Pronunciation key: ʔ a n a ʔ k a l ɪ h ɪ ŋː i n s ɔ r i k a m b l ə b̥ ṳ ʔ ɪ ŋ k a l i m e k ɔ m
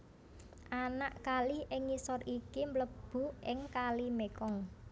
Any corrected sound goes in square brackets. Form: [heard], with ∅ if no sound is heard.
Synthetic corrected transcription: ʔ a n a ʔ k a l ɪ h ɪ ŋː i [∅] s ɔ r i k [i] m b l ə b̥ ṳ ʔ ɪ ŋ k a l i m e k ɔ [ŋ]